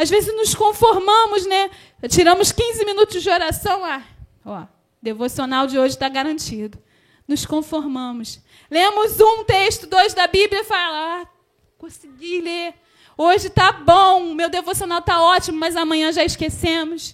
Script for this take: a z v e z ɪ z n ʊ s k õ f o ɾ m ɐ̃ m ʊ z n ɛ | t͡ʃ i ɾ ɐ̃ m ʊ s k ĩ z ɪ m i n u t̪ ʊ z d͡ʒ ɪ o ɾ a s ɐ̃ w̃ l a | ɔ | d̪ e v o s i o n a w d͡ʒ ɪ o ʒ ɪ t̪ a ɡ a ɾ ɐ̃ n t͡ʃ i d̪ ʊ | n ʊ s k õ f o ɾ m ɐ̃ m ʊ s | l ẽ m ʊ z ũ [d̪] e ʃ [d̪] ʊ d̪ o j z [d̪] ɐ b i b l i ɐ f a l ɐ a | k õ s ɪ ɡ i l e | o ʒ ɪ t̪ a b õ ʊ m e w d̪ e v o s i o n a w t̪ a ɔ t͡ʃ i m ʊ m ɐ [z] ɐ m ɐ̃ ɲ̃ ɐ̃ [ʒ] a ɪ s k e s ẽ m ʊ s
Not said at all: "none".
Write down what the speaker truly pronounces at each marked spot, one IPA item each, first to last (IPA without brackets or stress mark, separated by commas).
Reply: t̪, t̪, d̪, z, ʒ